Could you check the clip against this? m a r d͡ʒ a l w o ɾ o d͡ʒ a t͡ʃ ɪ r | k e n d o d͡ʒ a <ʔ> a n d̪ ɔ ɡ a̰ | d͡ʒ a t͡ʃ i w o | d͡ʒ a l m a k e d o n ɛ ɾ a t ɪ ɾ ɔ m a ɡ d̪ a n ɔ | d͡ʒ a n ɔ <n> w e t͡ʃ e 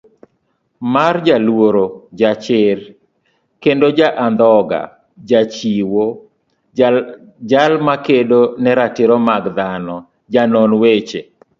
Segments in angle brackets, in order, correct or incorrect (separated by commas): correct, correct